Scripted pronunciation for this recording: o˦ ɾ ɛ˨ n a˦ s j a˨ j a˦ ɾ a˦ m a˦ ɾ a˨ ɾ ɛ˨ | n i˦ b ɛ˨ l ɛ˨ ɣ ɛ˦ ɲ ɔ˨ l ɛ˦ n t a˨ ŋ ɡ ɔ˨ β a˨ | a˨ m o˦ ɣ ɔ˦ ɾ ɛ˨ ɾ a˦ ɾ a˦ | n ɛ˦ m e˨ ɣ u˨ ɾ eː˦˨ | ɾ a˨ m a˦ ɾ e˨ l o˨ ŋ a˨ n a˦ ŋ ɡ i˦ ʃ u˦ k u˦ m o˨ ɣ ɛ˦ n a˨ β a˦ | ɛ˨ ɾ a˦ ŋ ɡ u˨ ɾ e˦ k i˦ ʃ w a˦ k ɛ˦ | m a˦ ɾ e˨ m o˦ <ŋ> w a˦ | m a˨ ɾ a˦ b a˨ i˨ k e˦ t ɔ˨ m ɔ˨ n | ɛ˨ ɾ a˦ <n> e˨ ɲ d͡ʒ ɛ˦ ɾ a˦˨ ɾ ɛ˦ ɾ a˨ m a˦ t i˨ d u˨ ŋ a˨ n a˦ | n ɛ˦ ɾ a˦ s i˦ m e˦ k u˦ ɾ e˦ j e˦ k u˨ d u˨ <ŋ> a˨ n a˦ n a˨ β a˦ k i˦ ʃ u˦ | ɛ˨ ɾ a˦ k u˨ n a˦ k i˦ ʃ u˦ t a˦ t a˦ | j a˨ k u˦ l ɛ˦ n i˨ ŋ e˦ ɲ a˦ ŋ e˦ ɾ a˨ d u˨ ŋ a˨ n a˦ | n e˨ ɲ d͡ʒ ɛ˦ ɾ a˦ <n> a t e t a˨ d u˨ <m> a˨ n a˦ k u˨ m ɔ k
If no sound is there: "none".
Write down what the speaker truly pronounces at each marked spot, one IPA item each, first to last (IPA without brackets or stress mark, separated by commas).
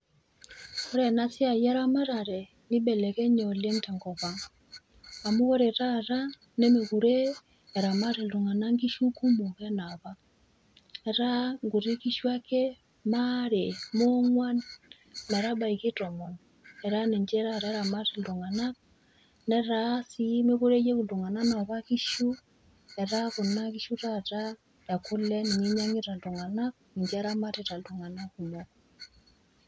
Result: ŋ, n, ŋ, m, ŋ